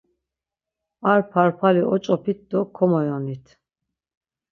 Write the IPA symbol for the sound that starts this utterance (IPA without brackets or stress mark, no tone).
a